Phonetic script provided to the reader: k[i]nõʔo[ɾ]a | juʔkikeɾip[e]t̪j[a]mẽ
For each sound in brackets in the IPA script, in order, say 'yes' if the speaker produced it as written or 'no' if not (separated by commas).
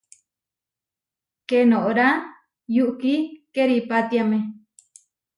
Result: no, yes, no, yes